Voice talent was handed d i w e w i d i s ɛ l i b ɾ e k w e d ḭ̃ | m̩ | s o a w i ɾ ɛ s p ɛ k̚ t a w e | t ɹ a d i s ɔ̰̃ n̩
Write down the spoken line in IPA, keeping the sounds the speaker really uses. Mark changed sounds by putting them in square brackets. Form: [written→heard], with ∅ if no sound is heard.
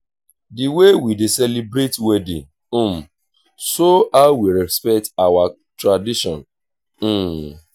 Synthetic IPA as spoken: d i w e w i d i s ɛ l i b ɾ e [k→t] w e d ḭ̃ | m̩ | s o a w i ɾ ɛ s p ɛ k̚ t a w [e→a] | t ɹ a d i [s→ʃ] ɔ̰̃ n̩